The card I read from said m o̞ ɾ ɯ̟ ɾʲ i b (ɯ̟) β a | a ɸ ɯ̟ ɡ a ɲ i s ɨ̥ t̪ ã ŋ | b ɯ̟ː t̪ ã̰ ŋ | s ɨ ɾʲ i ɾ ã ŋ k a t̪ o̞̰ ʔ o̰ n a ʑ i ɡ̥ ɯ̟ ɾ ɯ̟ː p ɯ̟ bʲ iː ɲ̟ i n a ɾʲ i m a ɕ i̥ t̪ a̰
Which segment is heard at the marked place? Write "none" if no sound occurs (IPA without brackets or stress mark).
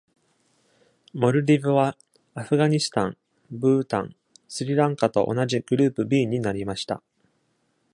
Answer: ɯ̟